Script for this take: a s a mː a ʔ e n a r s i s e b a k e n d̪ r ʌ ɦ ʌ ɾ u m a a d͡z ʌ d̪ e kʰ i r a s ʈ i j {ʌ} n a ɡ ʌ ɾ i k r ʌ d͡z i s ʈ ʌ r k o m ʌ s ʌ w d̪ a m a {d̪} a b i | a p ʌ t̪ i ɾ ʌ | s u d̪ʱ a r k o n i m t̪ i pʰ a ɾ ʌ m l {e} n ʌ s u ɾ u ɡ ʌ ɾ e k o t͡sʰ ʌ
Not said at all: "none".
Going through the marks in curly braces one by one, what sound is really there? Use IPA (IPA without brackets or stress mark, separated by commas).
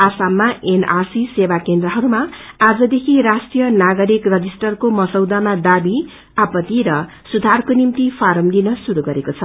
ʌ, d̪, i